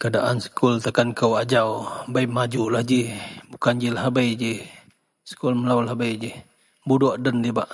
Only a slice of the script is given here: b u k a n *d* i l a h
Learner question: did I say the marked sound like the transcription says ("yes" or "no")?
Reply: no